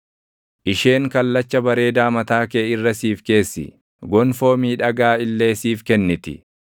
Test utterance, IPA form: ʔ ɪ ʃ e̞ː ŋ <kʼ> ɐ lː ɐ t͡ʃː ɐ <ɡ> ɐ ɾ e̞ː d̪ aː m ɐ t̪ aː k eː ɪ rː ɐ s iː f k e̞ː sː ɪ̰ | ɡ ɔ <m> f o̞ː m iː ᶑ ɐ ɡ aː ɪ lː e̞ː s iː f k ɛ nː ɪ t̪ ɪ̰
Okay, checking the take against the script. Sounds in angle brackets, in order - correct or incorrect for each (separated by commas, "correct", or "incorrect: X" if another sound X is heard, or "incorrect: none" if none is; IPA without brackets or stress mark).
incorrect: k, incorrect: b, incorrect: n